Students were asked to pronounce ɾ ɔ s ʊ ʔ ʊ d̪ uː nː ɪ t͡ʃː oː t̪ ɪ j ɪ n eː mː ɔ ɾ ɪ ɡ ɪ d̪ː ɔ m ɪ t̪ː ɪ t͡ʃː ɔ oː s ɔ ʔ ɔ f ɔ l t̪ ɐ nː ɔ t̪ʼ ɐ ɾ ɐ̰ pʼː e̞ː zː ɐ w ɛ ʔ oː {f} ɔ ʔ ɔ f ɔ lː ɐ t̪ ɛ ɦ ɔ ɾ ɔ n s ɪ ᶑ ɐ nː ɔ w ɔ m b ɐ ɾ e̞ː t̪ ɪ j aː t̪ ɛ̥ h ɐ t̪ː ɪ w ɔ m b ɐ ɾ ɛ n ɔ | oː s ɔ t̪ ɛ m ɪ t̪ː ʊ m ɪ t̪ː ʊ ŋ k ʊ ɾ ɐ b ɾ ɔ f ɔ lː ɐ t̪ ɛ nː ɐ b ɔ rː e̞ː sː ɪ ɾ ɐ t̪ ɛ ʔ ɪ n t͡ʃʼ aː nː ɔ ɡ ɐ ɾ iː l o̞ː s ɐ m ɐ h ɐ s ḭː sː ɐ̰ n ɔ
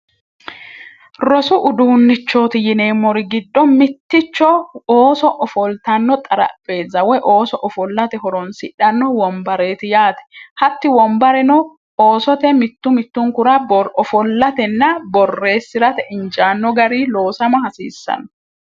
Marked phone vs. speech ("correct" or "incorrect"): incorrect